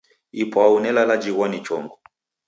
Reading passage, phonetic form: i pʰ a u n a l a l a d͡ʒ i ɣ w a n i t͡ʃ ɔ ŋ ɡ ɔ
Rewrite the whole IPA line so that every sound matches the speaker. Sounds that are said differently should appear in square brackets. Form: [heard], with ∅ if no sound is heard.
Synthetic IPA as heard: i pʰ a u n [ɛ] l a l a d͡ʒ i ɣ w a n i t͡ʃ ɔ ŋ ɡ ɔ

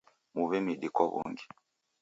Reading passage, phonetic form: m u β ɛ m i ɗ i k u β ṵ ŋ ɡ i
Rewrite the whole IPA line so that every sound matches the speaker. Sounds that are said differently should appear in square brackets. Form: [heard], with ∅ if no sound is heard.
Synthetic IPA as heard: m u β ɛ m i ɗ i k [ɔ] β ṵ ŋ ɡ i

